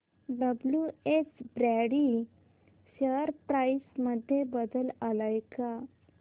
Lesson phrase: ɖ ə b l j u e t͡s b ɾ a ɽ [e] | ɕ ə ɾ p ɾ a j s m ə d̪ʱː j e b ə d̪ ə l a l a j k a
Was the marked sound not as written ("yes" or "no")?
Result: yes